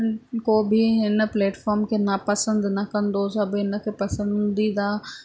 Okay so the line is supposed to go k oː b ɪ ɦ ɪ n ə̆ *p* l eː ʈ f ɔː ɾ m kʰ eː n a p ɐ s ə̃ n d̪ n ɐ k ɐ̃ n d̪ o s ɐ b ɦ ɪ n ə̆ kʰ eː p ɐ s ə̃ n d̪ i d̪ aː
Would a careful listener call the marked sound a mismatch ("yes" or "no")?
no